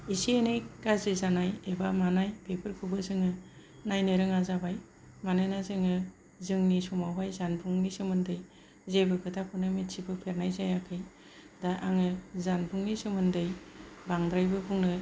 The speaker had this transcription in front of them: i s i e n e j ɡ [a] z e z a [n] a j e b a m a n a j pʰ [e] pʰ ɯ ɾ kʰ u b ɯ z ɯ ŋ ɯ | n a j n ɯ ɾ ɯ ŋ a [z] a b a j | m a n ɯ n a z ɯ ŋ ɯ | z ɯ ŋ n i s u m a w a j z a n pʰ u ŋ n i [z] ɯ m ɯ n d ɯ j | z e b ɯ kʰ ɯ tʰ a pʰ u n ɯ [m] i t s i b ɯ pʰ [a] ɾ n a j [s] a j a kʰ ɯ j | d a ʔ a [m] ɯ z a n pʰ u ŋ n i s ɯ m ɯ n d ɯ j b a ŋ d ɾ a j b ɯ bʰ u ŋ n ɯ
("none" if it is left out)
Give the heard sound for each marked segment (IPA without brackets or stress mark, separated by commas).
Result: a, n, e, z, s, m, e, z, ŋ